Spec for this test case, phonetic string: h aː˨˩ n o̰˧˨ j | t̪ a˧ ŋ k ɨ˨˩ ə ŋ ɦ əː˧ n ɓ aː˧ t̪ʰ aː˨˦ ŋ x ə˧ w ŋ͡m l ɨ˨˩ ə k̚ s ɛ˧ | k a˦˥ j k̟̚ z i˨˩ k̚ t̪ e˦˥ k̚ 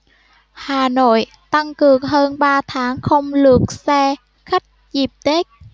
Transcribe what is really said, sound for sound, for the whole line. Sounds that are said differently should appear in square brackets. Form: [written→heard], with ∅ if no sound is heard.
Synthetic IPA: h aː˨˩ n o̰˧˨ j | t̪ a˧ ŋ k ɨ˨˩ ə ŋ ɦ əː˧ n ɓ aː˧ t̪ʰ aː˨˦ ŋ x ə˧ w ŋ͡m l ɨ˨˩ ə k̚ s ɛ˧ | [k→x] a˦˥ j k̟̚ z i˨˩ [k̚→p̚] t̪ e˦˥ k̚

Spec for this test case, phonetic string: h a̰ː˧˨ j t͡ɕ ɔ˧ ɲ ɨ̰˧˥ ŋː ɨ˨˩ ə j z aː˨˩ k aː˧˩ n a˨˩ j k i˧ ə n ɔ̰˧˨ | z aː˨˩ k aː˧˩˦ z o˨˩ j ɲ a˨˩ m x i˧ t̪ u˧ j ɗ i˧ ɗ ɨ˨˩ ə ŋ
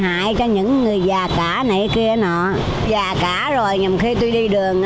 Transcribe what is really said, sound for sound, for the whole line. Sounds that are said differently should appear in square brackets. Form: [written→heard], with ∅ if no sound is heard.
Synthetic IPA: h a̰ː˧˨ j t͡ɕ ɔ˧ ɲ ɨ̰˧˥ ŋː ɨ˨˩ ə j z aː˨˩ k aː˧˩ n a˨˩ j k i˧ ə n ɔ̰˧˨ | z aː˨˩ k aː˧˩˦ z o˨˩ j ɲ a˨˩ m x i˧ t̪ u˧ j ɗ i˧ ɗ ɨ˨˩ ə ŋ

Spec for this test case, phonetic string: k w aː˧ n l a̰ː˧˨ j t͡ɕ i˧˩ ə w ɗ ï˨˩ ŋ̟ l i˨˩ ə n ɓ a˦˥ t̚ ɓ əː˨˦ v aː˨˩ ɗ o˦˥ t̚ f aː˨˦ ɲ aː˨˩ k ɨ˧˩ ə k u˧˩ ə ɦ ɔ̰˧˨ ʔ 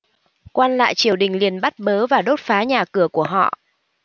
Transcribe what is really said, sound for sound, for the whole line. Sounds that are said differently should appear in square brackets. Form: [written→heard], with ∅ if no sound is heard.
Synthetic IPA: k w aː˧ n l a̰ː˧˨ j t͡ɕ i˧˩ ə w ɗ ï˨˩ ŋ̟ l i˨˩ ə n ɓ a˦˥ t̚ ɓ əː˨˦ v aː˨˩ ɗ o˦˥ t̚ f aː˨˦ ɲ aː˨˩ k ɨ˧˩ ə k u˧˩ ə ɦ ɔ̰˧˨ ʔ

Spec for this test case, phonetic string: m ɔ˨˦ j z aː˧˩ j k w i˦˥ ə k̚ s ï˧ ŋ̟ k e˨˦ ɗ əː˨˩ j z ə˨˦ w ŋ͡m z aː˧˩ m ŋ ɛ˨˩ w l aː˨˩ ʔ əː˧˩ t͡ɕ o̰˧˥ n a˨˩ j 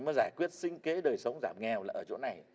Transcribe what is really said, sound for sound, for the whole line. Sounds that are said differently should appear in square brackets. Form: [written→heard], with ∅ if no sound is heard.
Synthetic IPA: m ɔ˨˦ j z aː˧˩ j k w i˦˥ ə [k̚→t̚] s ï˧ ŋ̟ k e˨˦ ɗ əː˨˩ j [z→s] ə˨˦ w ŋ͡m z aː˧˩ m ŋ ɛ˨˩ w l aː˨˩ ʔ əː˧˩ t͡ɕ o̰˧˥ n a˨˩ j

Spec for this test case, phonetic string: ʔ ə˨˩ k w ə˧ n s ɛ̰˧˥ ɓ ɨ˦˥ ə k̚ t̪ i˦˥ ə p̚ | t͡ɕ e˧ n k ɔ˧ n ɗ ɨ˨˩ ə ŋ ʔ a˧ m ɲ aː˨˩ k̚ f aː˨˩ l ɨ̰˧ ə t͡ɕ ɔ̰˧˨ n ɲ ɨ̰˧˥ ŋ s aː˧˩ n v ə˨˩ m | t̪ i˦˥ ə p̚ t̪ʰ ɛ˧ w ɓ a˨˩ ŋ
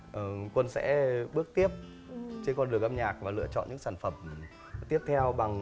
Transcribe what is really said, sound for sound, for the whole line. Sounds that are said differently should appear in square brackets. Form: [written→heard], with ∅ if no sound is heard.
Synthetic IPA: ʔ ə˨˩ k w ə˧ n s ɛ̰˧˥ ɓ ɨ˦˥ ə k̚ t̪ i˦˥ ə p̚ | t͡ɕ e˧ n k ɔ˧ n ɗ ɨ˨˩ ə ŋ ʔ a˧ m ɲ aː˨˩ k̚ [f→v] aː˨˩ l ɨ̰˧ ə t͡ɕ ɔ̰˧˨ n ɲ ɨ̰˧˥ ŋ s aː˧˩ n [v→f] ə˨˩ m | t̪ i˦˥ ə p̚ t̪ʰ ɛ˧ w ɓ a˨˩ ŋ

